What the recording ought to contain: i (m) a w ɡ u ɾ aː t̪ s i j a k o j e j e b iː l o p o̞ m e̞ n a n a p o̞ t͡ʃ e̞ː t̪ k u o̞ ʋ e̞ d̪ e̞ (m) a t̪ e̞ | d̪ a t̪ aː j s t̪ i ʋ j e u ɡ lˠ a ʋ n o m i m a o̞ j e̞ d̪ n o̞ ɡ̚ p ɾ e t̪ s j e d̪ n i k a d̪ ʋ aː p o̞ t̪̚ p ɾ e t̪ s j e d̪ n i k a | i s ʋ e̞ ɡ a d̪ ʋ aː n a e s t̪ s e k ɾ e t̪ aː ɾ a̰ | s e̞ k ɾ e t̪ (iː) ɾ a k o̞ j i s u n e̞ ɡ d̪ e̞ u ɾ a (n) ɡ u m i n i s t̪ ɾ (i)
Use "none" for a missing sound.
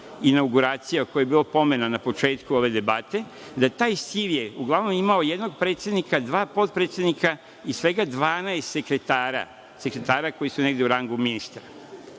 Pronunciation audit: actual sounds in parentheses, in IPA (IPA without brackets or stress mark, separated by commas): n, b, aː, ŋ, a